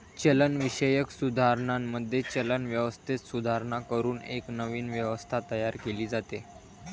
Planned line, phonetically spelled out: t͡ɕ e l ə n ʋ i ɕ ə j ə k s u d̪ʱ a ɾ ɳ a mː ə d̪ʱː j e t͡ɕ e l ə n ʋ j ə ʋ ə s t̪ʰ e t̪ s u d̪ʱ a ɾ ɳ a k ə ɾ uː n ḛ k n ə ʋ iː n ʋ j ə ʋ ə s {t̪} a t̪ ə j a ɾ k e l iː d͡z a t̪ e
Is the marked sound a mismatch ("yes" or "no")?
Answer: yes